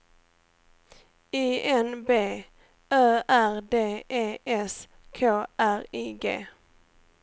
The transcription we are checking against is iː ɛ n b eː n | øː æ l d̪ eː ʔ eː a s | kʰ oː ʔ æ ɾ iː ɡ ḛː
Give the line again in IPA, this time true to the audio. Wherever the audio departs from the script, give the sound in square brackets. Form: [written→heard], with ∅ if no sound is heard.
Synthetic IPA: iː ɛ n b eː [n→∅] | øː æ [l→ɾ] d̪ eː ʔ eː [a→ɛ] s | kʰ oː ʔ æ ɾ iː ɡ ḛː